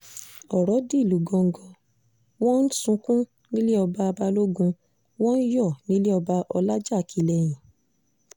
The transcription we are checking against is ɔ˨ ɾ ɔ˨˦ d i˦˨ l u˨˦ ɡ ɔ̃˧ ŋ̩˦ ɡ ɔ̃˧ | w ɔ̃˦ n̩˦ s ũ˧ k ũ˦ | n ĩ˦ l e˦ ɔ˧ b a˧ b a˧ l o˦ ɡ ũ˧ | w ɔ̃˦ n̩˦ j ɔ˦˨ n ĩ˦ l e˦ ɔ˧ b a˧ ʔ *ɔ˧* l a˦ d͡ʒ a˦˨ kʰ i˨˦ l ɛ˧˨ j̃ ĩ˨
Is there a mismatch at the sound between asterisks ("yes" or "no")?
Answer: no